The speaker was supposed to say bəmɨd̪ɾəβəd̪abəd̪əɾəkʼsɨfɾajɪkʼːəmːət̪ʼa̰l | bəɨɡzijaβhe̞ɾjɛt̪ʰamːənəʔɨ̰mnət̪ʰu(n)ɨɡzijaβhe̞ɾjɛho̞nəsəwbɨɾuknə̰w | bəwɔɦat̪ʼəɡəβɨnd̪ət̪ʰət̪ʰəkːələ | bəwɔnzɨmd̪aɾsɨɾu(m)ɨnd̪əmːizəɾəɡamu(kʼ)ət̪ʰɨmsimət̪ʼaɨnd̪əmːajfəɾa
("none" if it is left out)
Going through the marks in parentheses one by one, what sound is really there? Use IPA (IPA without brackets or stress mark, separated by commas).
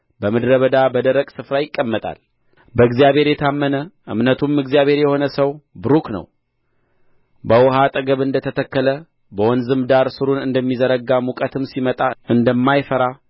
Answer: m, n, kʼ